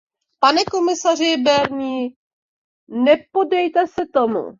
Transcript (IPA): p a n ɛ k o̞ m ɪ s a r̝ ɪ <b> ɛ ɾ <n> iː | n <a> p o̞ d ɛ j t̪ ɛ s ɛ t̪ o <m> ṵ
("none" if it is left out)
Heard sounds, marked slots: b, ɲ, ɛ, m

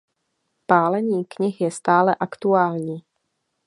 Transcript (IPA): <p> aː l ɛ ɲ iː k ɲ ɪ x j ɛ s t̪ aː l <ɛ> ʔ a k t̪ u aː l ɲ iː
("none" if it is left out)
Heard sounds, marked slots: p, ɛ

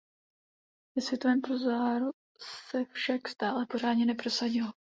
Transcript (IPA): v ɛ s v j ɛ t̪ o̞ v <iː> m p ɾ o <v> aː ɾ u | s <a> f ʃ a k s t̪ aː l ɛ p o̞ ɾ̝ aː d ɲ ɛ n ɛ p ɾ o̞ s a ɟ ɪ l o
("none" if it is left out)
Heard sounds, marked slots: ɛː, z, ɛ

